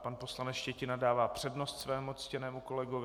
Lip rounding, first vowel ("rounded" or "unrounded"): unrounded